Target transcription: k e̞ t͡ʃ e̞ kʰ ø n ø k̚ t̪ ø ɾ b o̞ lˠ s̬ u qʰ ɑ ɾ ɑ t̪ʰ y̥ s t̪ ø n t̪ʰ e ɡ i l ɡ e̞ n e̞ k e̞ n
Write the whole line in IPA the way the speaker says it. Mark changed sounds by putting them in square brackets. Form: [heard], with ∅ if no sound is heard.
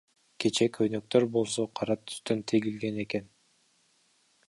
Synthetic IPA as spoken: k e̞ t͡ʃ e̞ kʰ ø n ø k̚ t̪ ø ɾ b o̞ lˠ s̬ [o] qʰ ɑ ɾ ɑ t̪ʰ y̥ s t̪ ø n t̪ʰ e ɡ i l ɡ e̞ n e̞ k e̞ n